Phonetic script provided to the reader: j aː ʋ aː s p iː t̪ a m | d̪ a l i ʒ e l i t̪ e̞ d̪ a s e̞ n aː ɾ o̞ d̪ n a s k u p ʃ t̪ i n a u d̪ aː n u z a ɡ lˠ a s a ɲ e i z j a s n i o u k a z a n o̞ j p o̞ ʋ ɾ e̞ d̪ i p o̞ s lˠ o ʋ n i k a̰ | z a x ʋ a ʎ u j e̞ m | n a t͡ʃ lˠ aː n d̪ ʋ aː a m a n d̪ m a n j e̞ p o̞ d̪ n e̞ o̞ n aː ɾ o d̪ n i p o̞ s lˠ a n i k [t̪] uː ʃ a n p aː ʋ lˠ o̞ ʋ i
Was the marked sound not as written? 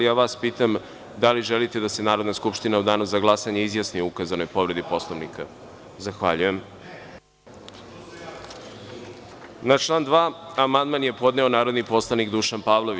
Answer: yes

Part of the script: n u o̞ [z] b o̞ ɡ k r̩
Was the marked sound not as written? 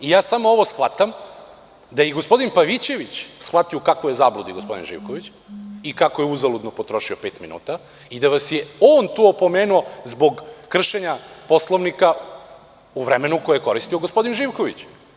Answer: no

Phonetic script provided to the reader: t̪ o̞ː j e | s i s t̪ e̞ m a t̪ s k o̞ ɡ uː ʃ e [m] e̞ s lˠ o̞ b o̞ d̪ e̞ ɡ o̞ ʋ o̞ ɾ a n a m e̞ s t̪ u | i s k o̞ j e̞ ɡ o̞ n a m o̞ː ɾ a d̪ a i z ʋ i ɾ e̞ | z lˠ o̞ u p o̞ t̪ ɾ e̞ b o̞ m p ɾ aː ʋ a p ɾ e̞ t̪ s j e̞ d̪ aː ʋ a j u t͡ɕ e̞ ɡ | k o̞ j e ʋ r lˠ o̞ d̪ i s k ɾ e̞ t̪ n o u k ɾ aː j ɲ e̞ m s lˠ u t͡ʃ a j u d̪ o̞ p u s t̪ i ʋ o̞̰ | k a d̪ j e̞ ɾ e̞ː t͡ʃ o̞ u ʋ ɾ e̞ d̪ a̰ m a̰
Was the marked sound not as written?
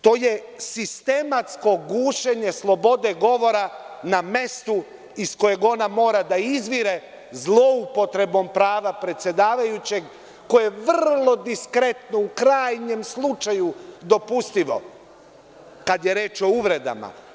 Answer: yes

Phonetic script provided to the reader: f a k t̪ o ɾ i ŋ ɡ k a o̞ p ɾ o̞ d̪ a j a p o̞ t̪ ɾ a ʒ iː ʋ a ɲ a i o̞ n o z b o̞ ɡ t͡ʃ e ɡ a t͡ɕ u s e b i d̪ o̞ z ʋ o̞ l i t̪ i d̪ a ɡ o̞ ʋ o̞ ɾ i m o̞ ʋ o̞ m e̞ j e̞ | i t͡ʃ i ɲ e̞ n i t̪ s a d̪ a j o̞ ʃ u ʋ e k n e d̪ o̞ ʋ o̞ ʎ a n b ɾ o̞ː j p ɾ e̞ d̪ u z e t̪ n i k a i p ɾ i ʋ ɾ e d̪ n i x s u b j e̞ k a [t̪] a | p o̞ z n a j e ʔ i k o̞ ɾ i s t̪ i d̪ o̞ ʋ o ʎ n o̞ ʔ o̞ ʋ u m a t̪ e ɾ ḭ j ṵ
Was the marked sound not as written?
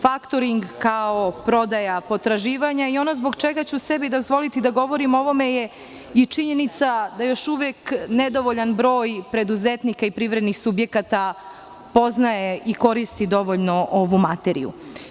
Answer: no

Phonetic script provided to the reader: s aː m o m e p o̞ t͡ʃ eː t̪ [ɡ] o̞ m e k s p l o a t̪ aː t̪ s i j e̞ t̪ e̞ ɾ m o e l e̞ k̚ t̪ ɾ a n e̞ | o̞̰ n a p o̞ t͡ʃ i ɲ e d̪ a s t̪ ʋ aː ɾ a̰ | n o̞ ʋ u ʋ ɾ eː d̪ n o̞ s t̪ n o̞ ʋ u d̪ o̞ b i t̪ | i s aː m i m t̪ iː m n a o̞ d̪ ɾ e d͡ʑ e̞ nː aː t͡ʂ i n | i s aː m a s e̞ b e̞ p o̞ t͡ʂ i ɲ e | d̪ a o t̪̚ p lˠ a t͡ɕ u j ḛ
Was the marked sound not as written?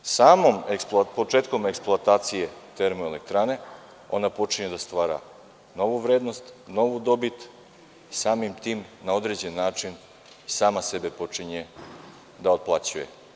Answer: yes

